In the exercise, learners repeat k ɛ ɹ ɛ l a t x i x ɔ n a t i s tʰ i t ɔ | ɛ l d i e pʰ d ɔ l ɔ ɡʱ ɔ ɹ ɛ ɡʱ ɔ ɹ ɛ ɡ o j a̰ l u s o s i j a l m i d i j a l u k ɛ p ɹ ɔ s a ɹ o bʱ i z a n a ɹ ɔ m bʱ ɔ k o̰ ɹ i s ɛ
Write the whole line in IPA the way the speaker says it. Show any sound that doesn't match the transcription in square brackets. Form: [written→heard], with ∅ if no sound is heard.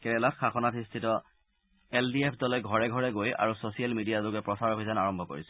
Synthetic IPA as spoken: k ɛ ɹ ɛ l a t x [i→a] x ɔ n a t i s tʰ i t ɔ | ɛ l d i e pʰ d ɔ l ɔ ɡʱ ɔ ɹ ɛ ɡʱ ɔ ɹ ɛ ɡ o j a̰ [l→ɹ] u s o s i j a l m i d i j a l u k ɛ p ɹ ɔ s a ɹ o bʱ i z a n a ɹ ɔ m bʱ ɔ k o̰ ɹ i s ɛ